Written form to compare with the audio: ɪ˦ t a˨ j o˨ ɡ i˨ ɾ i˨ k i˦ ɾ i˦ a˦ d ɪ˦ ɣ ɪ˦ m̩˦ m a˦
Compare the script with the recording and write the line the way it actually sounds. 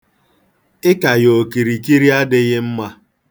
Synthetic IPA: ɪ˦ k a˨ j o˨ k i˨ ɾ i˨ k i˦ ɾ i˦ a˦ d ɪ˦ ɣ ɪ˦ m̩˦ m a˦